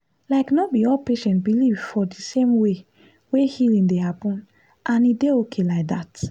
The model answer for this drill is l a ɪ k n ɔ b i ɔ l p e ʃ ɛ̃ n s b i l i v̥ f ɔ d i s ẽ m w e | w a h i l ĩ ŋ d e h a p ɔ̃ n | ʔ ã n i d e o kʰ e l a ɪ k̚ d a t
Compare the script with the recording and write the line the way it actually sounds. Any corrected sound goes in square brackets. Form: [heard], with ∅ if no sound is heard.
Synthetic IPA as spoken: l a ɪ k n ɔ b i ɔ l p e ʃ ɛ̃ n [t] b i l i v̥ f ɔ d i s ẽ m w e | w [e] h i l ĩ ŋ d e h a p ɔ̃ n | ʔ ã n i d e o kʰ e l a ɪ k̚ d a t